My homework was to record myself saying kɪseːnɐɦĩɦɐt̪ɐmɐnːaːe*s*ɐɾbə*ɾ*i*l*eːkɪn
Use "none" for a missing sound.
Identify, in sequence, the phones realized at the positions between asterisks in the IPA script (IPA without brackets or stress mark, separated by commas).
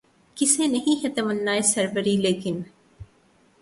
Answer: s, ɾ, l